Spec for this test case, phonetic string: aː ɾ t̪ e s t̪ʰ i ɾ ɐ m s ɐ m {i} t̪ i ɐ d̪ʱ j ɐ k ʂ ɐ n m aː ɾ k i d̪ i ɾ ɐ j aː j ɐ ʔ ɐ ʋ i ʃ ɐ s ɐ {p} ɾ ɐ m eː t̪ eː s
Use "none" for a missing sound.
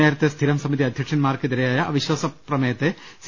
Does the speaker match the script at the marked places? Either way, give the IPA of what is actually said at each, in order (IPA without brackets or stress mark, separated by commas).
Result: i, p